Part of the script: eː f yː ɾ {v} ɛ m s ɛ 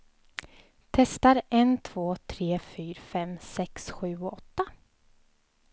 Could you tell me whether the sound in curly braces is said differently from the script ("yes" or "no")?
yes